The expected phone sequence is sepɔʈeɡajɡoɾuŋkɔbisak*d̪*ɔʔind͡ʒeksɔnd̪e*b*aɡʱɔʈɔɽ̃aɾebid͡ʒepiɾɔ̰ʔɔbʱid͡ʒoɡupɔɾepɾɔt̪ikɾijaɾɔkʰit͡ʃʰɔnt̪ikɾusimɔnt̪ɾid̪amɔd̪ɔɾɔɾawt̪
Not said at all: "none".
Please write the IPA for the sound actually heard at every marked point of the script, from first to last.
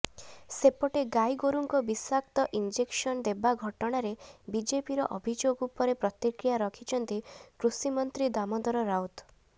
t̪, b

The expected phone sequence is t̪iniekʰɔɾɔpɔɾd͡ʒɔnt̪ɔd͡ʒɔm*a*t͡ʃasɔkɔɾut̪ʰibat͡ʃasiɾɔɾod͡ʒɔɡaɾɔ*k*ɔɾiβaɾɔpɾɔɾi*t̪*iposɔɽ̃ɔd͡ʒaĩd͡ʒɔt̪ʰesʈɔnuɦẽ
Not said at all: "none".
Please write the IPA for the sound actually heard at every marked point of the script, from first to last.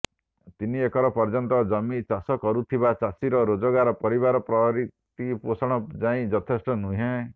i, p, t̪

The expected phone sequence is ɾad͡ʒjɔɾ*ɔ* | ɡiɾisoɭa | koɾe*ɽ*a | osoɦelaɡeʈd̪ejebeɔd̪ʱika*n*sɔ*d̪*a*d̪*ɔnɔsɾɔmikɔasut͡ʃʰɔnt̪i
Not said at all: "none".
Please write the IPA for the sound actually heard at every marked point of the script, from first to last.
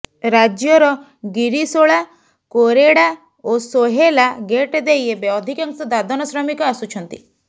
ɔ, ɽ, ŋ, d̪, d̪

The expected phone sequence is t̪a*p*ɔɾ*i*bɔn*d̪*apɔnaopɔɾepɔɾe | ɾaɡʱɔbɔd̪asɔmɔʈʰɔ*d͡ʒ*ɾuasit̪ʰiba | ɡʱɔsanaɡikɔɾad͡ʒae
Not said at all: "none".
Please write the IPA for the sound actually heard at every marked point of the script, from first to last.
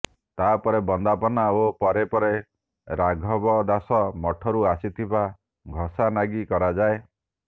p, e, d̪, none

